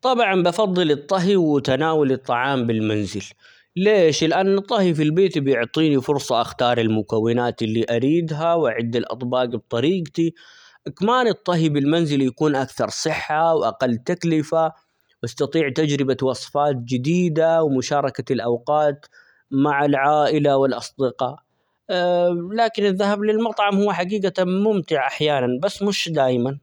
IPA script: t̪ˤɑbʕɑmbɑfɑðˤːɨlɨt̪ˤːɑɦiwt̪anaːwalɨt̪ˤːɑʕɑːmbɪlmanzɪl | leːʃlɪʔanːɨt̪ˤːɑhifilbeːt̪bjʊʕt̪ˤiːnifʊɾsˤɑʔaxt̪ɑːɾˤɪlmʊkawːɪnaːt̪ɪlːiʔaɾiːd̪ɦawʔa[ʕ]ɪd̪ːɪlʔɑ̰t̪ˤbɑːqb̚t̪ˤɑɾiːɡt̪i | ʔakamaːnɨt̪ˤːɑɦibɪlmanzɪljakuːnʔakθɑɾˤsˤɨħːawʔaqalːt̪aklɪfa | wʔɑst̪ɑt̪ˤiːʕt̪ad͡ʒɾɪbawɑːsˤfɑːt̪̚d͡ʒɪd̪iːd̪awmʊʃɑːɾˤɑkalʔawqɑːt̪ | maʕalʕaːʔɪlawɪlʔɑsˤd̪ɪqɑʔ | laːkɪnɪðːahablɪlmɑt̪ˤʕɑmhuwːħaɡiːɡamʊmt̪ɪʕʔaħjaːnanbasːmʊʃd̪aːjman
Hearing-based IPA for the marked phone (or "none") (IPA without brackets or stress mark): ʕ